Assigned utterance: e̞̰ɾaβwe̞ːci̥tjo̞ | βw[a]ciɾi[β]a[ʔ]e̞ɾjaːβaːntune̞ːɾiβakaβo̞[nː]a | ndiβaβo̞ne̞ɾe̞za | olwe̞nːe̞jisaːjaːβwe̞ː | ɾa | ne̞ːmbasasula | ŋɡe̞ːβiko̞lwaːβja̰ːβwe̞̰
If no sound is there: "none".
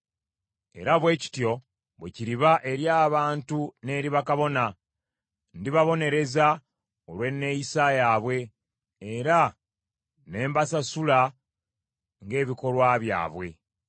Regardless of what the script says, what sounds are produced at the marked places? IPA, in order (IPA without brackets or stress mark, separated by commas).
e, β, ʔ, n